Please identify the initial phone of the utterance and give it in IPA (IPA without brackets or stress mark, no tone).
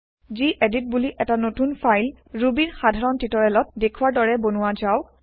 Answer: z